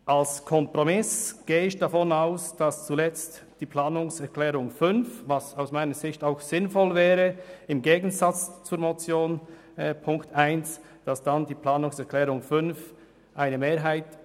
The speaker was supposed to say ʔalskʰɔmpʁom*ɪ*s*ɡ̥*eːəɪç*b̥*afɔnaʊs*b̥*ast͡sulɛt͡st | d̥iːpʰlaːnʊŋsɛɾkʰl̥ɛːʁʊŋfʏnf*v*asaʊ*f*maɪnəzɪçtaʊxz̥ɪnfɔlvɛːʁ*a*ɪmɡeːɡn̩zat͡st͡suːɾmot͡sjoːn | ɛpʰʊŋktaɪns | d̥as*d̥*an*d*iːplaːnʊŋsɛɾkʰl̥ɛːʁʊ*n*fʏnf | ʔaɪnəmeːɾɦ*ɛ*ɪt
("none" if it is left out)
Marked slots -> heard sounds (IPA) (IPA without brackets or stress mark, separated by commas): ɪ, ɡ̥, d̥, d̥, v, s, ə, d̥, d, ŋ, a